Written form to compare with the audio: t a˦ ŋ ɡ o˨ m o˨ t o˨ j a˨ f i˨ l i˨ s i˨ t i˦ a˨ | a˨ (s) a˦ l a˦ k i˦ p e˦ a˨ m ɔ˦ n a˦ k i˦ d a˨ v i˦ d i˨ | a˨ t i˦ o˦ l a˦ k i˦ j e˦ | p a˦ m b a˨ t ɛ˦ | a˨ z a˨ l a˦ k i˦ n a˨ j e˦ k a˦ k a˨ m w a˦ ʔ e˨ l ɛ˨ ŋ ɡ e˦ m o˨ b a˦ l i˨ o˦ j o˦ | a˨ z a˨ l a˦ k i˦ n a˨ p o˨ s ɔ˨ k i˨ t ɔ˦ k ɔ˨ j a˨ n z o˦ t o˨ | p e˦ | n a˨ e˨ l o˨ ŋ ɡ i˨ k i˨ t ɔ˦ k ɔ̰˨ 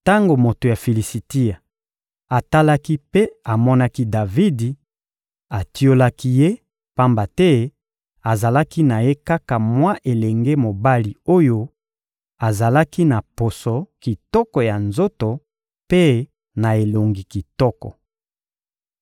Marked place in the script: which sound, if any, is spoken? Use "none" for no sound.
t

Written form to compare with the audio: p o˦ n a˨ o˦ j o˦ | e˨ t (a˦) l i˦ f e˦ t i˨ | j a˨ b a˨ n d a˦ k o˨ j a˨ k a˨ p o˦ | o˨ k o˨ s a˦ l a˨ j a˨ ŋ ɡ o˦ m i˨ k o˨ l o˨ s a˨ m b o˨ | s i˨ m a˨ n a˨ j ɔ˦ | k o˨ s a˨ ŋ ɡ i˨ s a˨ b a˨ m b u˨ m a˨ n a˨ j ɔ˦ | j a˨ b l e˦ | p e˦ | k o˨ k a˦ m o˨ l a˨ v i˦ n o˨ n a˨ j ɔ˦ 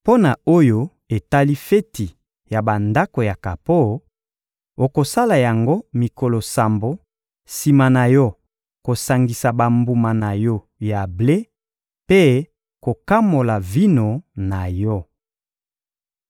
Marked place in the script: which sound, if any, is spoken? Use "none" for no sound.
a˦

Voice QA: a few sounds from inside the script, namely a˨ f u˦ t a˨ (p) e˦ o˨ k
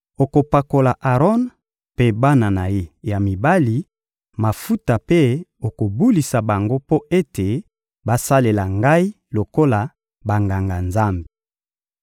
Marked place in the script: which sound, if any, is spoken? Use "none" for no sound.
p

